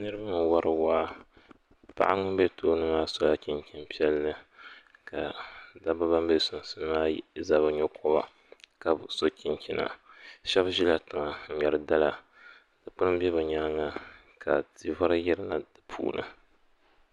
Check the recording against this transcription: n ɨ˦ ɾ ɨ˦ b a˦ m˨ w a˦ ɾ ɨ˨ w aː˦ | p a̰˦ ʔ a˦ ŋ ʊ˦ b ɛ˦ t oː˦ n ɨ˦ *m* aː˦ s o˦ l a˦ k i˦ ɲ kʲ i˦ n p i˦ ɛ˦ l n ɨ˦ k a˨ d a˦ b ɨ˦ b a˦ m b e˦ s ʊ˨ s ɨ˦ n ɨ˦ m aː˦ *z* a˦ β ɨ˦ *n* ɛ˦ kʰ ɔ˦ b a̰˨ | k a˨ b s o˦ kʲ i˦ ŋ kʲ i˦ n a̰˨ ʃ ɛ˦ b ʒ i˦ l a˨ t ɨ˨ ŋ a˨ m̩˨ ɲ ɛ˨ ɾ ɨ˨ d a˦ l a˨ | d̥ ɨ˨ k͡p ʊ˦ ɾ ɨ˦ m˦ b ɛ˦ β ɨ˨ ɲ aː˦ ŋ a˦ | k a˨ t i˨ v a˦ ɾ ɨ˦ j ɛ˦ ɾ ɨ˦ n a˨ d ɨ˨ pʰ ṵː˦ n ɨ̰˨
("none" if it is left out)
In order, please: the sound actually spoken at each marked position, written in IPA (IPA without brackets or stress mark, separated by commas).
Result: m, z, ɲ